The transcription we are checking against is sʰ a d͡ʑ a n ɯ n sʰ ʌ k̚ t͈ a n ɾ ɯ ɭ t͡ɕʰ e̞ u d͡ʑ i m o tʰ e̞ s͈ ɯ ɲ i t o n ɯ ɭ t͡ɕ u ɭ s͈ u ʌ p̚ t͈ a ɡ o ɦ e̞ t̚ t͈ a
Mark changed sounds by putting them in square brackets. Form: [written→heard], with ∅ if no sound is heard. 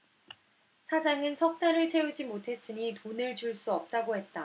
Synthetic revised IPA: sʰ a d͡ʑ a [n→ŋ] ɯ n sʰ ʌ k̚ t͈ a [n→∅] ɾ ɯ ɭ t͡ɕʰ e̞ u d͡ʑ i m o tʰ e̞ s͈ ɯ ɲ i t o n ɯ ɭ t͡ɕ u ɭ s͈ u ʌ p̚ t͈ a ɡ o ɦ e̞ t̚ t͈ a